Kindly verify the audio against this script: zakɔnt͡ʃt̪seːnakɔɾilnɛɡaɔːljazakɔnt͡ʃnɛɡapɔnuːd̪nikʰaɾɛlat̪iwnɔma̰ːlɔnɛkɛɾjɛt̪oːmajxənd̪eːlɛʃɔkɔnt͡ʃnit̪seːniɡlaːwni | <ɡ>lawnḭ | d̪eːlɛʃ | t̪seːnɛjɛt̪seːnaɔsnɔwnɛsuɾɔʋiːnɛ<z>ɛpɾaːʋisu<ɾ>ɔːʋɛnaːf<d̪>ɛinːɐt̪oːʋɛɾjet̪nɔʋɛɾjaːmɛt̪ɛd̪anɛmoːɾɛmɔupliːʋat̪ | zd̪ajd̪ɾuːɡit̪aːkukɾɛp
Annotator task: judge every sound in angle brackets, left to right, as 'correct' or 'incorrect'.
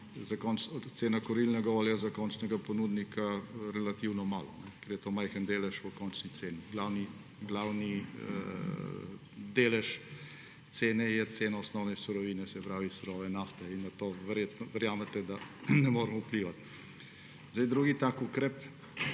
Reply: correct, incorrect, correct, incorrect

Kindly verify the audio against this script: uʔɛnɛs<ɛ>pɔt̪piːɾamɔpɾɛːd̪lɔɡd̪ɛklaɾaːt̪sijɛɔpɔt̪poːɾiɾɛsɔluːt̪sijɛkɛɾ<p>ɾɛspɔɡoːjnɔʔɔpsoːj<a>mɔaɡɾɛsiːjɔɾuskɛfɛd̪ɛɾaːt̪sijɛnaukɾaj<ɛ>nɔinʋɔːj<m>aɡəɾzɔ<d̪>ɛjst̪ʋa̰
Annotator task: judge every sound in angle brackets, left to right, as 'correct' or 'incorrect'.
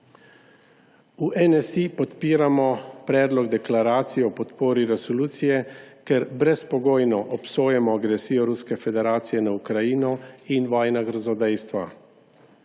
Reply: incorrect, incorrect, incorrect, incorrect, incorrect, correct

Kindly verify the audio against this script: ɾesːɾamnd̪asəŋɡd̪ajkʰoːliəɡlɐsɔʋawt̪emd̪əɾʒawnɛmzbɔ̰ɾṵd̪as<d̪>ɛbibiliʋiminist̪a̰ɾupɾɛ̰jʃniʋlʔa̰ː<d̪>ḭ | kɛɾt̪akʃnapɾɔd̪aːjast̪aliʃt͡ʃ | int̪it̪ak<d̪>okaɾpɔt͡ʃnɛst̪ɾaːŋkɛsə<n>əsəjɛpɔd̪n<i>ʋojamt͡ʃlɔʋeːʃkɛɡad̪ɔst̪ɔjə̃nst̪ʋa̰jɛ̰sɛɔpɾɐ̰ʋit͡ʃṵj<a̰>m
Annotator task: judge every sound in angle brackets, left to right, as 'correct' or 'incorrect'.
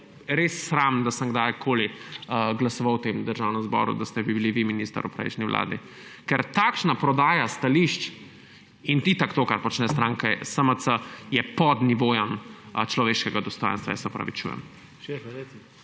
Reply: incorrect, correct, incorrect, incorrect, correct, incorrect

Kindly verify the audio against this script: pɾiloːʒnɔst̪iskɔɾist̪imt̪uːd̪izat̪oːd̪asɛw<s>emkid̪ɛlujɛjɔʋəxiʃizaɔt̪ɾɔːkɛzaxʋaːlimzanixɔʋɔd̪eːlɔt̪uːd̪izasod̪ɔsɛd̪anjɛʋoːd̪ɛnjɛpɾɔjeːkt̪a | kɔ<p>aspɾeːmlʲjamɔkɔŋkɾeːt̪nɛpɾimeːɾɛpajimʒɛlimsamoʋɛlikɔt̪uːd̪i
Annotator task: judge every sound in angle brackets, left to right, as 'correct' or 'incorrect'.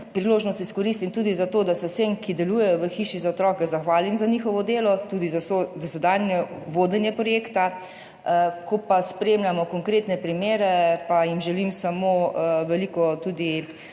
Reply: correct, correct

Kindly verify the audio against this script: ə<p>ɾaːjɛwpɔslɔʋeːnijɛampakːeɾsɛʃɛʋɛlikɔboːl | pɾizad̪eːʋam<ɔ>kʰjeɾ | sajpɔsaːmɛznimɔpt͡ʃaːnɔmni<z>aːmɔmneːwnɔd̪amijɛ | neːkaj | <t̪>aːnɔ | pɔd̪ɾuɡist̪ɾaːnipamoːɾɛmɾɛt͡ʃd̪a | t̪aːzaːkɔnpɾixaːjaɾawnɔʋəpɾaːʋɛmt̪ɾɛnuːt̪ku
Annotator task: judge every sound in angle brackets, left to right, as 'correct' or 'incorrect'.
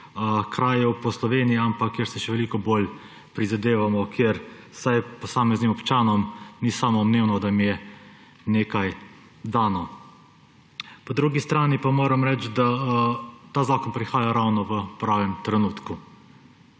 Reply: incorrect, correct, incorrect, incorrect

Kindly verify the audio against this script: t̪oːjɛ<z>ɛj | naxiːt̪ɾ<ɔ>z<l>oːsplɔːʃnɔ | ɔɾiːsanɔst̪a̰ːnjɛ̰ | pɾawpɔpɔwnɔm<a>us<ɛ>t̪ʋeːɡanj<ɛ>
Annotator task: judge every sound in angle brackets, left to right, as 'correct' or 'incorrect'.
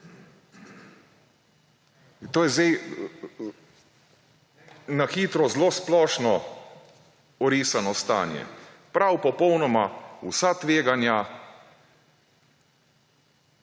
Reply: correct, correct, correct, correct, incorrect, incorrect

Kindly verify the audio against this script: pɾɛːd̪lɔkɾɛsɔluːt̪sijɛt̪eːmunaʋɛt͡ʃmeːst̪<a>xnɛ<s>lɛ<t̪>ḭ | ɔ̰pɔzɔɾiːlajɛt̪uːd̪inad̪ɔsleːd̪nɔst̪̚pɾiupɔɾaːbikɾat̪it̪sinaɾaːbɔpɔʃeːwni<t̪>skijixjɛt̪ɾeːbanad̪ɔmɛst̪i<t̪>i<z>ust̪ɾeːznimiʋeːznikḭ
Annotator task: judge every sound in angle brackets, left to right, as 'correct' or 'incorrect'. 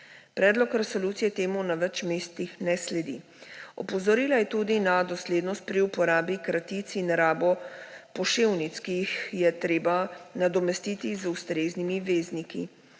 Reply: incorrect, correct, incorrect, correct, correct, correct

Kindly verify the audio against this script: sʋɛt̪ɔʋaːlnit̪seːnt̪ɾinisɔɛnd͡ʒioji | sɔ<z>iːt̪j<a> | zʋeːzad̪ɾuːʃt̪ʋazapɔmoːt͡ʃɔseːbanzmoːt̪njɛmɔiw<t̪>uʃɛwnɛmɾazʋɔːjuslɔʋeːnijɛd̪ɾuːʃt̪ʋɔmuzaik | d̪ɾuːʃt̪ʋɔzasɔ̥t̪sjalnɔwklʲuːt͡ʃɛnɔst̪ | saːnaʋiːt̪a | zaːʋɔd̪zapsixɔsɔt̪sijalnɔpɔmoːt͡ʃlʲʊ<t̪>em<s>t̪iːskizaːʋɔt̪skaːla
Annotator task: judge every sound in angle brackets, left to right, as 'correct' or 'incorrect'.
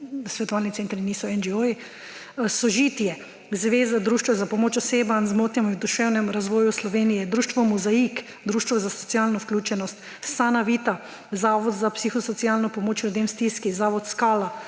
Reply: incorrect, incorrect, incorrect, incorrect, correct

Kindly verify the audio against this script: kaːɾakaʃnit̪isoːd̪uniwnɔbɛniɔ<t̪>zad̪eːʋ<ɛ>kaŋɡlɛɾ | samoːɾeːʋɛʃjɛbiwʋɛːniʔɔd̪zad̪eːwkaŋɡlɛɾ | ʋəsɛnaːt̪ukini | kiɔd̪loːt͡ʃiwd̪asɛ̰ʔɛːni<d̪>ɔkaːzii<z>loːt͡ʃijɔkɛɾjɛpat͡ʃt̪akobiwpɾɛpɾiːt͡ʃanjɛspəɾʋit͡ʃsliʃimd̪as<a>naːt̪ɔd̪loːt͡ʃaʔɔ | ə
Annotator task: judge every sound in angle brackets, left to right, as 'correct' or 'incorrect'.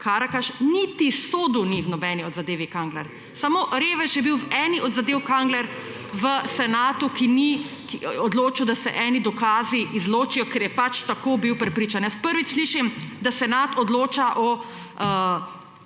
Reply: incorrect, incorrect, correct, correct, incorrect

